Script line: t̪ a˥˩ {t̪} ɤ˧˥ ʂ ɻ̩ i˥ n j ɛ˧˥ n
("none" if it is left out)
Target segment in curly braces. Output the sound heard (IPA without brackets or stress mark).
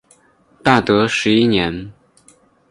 t̪